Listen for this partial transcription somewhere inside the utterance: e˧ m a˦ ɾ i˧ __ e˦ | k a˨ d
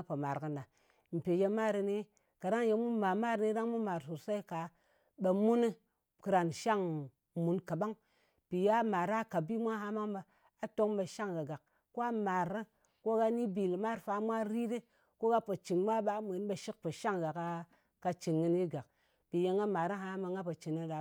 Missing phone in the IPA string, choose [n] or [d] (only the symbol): n